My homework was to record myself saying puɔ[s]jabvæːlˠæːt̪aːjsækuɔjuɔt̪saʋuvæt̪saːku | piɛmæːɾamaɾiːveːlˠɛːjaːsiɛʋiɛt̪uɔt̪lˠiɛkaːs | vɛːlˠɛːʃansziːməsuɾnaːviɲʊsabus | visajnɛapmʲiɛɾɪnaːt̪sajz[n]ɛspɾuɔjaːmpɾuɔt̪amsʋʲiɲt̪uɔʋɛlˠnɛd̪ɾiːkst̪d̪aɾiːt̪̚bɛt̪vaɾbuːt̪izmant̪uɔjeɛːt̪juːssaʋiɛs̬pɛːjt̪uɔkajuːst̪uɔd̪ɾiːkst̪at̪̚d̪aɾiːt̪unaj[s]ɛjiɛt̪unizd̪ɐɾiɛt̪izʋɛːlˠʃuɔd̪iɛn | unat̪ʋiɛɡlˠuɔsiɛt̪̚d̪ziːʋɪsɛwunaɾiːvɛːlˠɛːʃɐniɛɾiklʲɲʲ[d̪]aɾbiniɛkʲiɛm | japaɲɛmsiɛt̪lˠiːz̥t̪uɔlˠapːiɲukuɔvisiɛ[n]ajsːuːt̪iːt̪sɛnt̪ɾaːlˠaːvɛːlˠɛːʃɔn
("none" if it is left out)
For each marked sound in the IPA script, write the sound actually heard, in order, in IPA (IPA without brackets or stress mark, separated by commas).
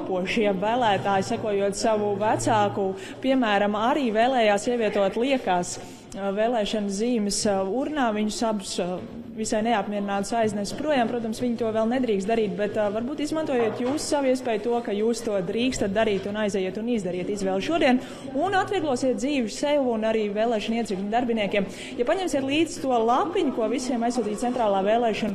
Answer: ʃ, n, z, d̪, m